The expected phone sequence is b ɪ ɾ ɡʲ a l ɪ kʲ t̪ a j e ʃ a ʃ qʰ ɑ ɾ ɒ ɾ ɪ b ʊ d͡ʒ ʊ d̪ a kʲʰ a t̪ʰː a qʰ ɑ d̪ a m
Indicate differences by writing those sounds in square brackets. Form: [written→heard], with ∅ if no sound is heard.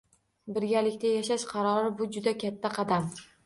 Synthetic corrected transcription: b ɪ ɾ ɡʲ a l ɪ kʲ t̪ a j [e→a] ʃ a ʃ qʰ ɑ ɾ ɒ ɾ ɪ b ʊ d͡ʒ ʊ d̪ a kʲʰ a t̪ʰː a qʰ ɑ d̪ a m